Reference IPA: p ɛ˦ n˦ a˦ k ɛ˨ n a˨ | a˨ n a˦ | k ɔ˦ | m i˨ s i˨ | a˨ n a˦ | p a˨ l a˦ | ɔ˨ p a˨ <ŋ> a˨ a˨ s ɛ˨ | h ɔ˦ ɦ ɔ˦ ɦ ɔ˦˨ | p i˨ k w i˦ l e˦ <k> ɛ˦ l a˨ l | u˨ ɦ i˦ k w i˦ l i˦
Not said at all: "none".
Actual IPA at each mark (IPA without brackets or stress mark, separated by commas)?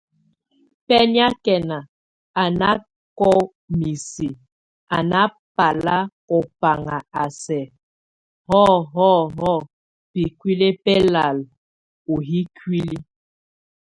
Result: ŋ, p